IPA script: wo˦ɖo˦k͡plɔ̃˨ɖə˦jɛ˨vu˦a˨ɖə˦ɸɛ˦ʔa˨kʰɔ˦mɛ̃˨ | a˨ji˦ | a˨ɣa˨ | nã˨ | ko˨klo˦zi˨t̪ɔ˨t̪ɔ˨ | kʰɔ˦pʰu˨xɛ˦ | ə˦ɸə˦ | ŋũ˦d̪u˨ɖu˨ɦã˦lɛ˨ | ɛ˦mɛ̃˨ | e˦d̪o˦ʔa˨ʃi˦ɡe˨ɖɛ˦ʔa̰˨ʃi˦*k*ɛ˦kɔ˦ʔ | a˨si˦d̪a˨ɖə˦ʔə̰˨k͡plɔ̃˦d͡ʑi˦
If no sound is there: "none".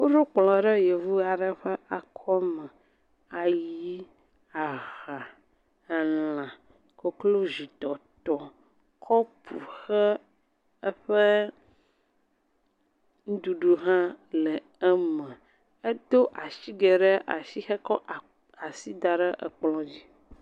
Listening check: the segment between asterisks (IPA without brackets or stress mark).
x